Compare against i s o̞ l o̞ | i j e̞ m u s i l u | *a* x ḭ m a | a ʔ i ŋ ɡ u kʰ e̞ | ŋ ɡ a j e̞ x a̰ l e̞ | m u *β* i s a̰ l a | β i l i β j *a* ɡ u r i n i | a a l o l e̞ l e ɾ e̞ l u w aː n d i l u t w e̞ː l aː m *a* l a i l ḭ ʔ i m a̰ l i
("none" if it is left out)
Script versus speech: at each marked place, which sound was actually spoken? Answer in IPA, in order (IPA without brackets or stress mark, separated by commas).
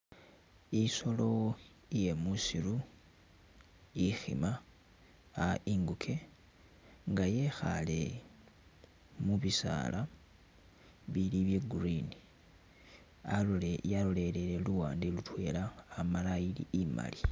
i, β, e, a